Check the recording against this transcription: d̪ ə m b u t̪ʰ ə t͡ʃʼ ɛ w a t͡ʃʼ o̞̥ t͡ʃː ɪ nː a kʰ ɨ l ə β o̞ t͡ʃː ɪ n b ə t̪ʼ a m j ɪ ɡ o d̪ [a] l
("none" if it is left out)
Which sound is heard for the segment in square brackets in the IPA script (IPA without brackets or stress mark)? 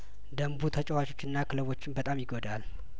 a